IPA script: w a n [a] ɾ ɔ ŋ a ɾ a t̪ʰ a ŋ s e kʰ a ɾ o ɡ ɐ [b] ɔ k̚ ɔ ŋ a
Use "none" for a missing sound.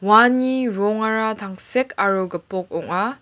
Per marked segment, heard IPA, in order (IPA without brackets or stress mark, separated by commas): i, p